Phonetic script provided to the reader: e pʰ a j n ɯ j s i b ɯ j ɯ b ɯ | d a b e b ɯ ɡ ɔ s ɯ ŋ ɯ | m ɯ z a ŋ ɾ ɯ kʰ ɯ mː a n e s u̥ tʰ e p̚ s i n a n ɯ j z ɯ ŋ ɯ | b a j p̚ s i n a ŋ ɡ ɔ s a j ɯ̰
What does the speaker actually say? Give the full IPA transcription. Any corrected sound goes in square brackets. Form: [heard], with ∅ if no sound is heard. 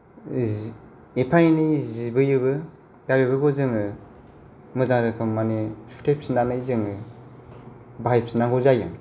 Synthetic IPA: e pʰ a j n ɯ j [z] i b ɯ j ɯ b ɯ | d a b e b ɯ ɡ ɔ [z] ɯ ŋ ɯ | m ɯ z a ŋ ɾ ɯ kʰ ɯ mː a n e s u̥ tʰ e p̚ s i n a n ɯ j z ɯ ŋ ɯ | b a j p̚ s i n a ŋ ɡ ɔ [z] a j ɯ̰